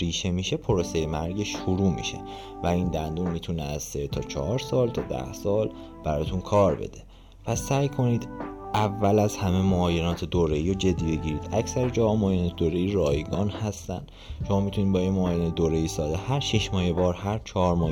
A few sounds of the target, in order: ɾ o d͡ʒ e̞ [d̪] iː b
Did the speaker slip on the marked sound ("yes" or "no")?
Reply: yes